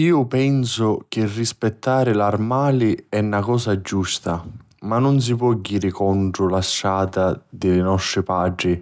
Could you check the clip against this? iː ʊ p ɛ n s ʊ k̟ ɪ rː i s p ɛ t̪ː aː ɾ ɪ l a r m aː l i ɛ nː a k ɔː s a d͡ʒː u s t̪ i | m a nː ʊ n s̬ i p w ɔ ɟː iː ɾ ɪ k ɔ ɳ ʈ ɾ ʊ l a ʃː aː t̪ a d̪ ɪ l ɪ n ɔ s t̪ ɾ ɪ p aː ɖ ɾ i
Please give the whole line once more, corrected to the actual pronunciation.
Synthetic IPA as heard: iː ʊ p ɛ n s ʊ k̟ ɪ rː i s p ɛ t̪ː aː ɾ ɪ l a r m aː l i ɛ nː a k ɔː s a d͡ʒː u s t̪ a | m a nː ʊ n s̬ i p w ɔ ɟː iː ɾ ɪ k ɔ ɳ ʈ ɾ ʊ l a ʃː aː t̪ a d̪ ɪ l ɪ n ɔ s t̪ ɾ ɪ p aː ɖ ɾ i